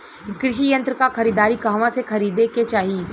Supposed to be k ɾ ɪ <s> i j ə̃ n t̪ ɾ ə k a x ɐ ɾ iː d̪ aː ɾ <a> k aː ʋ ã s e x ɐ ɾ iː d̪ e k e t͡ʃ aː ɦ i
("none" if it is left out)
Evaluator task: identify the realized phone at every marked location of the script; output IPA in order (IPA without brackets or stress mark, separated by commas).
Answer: ʃ, i